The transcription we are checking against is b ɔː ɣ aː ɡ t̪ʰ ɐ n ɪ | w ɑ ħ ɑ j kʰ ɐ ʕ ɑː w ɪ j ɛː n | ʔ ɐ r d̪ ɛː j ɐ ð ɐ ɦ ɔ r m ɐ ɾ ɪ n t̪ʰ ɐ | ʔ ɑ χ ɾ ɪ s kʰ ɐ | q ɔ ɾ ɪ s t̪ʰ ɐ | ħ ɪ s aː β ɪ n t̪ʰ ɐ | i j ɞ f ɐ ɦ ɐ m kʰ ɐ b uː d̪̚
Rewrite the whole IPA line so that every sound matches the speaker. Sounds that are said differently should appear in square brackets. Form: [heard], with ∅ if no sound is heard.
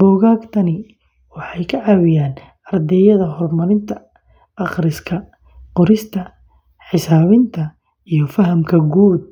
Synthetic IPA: b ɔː ɣ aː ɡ t̪ʰ ɐ n ɪ | w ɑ ħ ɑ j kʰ ɐ ʕ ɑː w ɪ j [aː] n | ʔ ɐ r d̪ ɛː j ɐ ð ɐ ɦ ɔ r m ɐ ɾ ɪ n t̪ʰ ɐ | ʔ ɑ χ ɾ ɪ s kʰ ɐ | q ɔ ɾ ɪ s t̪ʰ ɐ | ħ ɪ s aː β ɪ n t̪ʰ ɐ | i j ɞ f ɐ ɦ ɐ m kʰ ɐ [ɡ] uː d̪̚